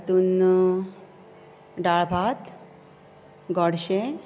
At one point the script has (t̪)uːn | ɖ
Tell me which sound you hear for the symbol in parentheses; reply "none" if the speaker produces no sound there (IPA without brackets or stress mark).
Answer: t̪